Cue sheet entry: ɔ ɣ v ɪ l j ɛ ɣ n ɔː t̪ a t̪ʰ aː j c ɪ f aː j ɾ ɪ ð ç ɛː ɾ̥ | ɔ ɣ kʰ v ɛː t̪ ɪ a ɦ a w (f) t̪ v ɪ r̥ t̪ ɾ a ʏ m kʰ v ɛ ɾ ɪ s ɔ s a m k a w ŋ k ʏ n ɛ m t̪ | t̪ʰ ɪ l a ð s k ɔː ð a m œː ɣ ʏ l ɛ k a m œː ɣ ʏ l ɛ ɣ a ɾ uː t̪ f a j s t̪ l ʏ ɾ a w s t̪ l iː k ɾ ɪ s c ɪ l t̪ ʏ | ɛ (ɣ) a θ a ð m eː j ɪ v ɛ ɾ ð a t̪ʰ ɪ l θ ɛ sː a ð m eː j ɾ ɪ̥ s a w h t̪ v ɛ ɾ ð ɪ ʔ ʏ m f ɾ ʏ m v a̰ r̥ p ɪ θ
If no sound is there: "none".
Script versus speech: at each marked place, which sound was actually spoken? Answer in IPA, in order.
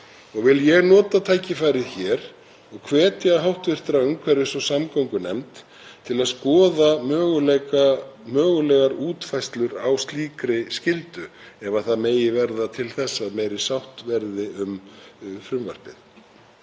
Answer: h, v

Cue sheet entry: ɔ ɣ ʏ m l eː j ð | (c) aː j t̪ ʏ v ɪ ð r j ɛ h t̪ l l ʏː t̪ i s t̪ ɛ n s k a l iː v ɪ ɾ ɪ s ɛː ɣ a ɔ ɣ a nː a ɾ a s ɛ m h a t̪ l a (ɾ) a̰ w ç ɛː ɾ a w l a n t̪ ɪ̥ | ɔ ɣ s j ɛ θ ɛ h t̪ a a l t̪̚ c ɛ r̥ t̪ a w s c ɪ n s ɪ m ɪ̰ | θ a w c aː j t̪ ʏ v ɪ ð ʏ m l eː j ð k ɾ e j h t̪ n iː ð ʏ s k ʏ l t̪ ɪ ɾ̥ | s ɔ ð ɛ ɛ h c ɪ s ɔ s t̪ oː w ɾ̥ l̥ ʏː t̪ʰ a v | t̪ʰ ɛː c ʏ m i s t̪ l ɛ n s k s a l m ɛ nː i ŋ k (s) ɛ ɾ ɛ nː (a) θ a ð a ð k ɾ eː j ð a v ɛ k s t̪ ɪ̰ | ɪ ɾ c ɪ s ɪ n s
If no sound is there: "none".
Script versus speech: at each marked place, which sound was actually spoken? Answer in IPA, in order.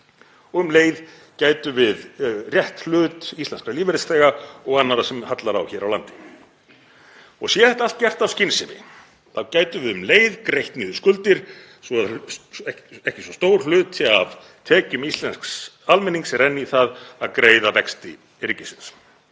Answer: c, ɾ, s, i

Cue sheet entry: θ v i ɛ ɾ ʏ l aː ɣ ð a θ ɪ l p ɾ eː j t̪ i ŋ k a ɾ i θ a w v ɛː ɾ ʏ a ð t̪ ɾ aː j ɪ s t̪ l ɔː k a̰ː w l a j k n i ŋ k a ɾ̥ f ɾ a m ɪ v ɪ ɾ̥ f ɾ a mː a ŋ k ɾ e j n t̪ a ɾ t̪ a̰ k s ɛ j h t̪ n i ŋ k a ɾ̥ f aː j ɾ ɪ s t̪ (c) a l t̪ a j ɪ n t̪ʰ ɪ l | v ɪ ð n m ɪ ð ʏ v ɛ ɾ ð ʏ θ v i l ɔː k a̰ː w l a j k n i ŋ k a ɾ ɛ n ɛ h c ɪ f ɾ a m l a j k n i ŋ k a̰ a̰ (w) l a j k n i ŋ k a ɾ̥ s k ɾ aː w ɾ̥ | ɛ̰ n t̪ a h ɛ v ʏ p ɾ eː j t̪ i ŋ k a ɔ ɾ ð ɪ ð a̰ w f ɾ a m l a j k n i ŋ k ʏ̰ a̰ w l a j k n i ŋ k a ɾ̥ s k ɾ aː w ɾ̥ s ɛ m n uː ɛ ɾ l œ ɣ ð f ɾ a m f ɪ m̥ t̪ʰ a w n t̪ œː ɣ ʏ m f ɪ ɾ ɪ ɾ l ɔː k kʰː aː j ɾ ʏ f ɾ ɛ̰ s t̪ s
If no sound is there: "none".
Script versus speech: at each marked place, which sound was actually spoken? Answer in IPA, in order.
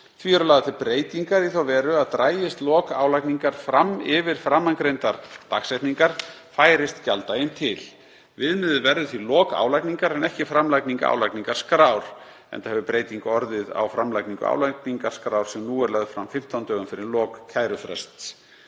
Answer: c, w

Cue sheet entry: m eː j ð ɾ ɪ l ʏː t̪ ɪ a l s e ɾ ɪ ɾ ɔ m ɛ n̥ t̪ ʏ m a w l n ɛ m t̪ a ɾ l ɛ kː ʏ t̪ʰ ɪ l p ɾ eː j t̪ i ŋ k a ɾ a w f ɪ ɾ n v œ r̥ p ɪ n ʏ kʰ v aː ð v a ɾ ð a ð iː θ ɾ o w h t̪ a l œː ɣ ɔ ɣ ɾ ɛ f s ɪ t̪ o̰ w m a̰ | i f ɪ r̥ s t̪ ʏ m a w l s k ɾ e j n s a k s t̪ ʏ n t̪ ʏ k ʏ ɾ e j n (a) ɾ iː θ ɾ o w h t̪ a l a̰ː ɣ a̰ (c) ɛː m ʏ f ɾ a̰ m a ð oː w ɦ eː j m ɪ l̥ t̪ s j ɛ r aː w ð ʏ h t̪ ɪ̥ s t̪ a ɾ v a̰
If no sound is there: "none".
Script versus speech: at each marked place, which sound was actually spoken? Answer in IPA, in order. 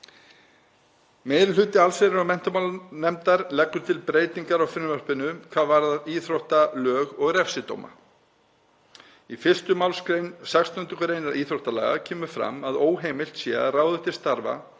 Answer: a, cʰ

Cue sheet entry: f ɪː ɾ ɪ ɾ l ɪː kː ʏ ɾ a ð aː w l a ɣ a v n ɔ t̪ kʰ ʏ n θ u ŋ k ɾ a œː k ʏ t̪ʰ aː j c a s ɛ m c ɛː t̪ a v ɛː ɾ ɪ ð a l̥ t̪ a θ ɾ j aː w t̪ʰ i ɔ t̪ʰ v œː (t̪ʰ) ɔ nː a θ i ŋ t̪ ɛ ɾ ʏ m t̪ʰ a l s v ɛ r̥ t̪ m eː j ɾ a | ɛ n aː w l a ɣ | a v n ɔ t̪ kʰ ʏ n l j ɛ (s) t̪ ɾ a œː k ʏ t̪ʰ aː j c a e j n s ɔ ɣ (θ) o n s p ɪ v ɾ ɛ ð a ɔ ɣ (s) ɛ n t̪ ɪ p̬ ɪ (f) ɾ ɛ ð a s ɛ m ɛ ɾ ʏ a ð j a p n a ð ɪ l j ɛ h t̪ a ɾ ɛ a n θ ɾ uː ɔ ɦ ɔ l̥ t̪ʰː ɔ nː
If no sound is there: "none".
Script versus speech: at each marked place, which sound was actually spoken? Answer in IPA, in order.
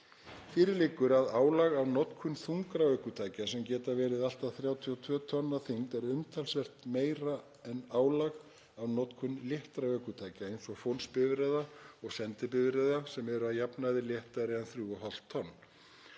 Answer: t̪ʰ, h, f, s, v

